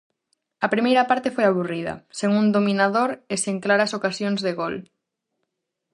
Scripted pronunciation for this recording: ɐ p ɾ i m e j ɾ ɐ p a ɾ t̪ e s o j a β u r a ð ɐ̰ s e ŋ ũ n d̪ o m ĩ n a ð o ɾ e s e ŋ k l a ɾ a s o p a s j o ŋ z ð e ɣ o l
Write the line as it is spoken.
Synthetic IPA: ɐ p ɾ i m e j ɾ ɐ p a ɾ t̪ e f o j a β u r i ð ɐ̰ s e ŋ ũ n d̪ o m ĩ n a ð o ɾ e s e ŋ k l a ɾ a s o k a s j o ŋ z ð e ɣ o l

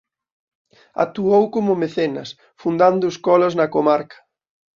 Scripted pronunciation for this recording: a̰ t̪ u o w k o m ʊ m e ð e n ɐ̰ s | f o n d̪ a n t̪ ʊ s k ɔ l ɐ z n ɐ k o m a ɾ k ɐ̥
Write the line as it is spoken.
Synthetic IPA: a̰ t̪ u o w k o m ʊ m e θ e n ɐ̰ s | f u n d̪ a n d̪ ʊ s k ɔ l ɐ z n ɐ k o m a ɾ k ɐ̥

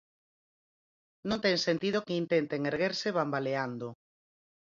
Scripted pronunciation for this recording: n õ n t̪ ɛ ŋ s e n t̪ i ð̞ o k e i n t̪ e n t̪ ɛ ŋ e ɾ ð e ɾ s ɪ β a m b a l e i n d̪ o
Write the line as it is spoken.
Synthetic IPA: n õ n t̪ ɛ ŋ s e n t̪ i ð̞ o k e i n t̪ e n t̪ e ŋ e ɾ ɣ e ɾ s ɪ β a m b a l e a n d̪ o

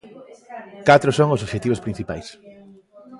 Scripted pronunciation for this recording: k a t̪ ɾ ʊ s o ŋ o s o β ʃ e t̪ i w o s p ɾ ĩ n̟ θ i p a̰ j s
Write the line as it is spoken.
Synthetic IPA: k a t̪ ɾ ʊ s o ŋ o s o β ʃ e t̪ i β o s p ɾ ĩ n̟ θ i p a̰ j s

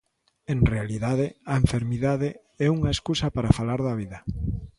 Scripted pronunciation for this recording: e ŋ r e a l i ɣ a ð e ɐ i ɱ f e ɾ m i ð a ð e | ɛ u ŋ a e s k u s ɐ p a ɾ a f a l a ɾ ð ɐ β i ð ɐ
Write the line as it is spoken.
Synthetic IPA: e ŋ r e a l i ð a ð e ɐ e ɱ f e ɾ m i ð a ð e | ɛ u ŋ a e s k u s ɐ p a ɾ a f a l a ɾ ð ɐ β i ð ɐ

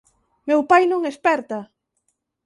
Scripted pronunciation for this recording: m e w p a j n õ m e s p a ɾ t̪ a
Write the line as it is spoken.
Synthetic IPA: m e w p a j n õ ŋ e s p ɛ ɾ t̪ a

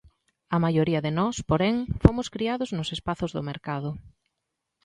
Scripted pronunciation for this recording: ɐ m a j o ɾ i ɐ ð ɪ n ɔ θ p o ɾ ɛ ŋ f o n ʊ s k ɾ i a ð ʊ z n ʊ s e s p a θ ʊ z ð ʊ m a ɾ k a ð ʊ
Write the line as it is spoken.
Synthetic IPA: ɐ m a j o ɾ i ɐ ð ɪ n ɔ s p o ɾ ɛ ŋ f o m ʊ s k ɾ i a ð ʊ z n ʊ s e s p a θ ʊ z ð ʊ m e ɾ k a ð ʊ

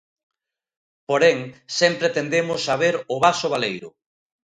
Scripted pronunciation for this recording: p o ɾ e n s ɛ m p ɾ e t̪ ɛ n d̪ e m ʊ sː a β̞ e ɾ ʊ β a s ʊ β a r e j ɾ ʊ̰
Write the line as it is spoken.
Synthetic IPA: p o ɾ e ŋ s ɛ m p ɾ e t̪ e n d̪ e m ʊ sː a β̞ e ɾ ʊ β a s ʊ β a l e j ɾ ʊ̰

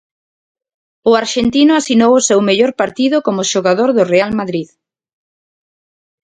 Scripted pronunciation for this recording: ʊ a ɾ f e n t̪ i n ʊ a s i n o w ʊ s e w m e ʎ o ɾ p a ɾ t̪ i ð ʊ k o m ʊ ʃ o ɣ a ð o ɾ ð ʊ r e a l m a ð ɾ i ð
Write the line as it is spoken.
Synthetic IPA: ʊ a ɾ ʃ e n t̪ i n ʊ a s i n o w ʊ s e w m e ʎ o ɾ p a ɾ t̪ i ð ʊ k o m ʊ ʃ o ɣ a ð o ɾ ð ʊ r e a l m a ð ɾ i ð

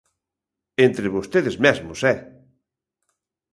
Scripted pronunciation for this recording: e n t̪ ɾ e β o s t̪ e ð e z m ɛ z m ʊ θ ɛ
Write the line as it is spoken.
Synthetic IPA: e n t̪ ɾ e β o s t̪ e ð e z m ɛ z m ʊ s ɛ

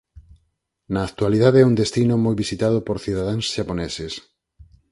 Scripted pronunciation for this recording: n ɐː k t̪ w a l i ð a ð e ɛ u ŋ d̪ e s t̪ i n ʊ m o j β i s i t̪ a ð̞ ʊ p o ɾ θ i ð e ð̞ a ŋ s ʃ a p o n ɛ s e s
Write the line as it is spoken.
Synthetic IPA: n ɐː k t̪ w a l i ð a ð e ɛ u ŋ d̪ e s t̪ i n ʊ m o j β i s i t̪ a ð̞ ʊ p o ɾ θ i ð a ð̞ a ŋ s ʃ a p o n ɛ s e s

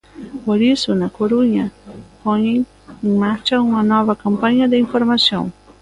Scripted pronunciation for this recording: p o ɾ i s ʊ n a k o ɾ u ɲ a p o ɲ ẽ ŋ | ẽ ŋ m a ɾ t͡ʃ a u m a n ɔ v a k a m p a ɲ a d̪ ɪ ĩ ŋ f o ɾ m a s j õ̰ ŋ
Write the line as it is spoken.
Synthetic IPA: p o ɾ i s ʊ n a k o ɾ u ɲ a p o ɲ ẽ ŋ | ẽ ŋ m a ɾ t͡ʃ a u m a n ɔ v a k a m p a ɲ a d̪ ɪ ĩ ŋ f o ɾ m a s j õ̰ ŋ

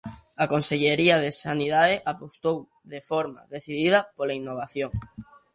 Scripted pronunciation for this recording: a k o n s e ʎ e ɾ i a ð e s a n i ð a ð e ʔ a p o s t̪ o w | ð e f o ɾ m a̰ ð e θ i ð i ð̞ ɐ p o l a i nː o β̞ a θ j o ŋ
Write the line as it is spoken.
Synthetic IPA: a k o n s e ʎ e ɾ i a ð e s a n i ð a ð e ʔ a p o s t̪ o w | ð e f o ɾ m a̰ ð e θ i ð i ð̞ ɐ p o l a i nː o β̞ a θ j o ŋ

